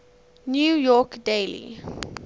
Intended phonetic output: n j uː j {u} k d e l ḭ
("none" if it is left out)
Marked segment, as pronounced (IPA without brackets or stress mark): ɔ